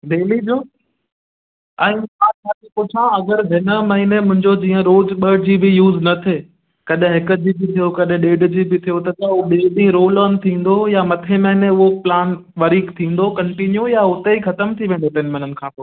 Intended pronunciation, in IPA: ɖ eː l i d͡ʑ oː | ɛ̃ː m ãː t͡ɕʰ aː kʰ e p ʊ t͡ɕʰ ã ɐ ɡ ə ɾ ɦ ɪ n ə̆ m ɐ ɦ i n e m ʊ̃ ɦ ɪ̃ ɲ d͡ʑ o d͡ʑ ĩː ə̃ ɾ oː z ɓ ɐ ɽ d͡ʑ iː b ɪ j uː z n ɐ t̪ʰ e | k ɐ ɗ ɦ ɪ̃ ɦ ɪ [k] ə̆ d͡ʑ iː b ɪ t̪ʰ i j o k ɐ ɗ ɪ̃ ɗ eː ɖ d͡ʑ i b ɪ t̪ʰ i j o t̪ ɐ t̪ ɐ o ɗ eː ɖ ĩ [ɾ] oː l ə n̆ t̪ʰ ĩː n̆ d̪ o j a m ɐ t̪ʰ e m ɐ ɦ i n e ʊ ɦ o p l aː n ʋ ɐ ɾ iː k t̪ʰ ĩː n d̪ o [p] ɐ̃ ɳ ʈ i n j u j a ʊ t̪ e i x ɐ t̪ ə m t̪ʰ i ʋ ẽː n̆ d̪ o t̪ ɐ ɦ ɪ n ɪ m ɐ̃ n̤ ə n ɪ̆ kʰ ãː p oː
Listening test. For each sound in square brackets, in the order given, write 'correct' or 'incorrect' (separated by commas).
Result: correct, correct, incorrect